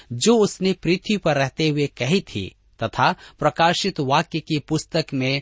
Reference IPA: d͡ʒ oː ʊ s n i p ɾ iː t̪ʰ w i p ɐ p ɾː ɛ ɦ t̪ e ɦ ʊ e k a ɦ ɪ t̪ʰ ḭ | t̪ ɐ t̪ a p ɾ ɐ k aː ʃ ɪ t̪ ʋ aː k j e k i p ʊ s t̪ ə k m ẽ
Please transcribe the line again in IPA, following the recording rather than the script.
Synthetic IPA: d͡ʒ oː ʊ s n e p ɾ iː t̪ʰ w i p ɐ ɾː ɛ ɦ t̪ e ɦ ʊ e k ɐ ɦ i t̪ʰ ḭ | t̪ ɐ t̪ʰ a p ɾ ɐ k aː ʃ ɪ t̪ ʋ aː k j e k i p ʊ s t̪ ə k m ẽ